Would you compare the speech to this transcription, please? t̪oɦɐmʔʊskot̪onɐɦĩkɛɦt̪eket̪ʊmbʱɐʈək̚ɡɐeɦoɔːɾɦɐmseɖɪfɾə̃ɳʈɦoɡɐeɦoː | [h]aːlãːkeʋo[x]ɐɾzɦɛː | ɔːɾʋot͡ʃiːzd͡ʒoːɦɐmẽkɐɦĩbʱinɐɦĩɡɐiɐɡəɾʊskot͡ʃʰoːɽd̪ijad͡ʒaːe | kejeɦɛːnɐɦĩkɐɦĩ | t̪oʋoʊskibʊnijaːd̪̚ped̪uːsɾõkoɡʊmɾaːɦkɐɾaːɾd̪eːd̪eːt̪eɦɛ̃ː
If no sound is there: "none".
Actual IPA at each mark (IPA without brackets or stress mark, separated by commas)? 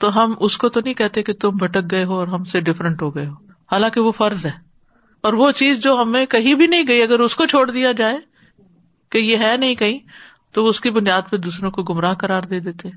h, f